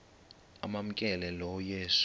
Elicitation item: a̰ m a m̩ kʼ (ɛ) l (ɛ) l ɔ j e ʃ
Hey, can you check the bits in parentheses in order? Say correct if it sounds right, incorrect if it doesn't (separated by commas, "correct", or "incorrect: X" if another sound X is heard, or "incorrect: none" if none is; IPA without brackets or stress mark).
correct, correct